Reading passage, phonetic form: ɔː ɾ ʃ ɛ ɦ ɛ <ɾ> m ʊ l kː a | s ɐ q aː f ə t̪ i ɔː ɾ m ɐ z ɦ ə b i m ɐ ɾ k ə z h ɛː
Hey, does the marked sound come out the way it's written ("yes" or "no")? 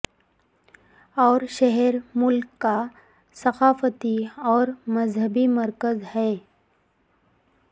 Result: yes